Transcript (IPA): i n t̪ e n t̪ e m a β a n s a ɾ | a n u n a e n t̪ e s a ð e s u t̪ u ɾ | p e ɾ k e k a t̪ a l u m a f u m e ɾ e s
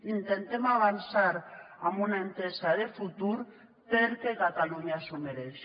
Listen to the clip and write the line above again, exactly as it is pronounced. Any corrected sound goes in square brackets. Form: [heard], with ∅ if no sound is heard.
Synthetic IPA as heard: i n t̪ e n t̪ e m a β a n s a ɾ | a [m] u n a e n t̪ e s a ð e [f] u t̪ u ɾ | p e ɾ k e k a t̪ a l u [ɲ] a [s] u m e ɾ e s